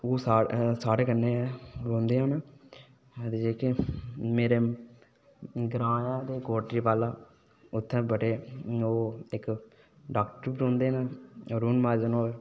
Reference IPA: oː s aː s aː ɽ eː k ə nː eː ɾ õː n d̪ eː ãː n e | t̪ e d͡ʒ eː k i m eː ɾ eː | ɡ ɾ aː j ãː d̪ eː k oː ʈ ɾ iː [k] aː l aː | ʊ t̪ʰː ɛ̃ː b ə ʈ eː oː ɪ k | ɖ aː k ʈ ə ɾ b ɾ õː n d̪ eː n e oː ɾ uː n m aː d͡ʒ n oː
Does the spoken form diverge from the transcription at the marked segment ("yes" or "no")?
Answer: yes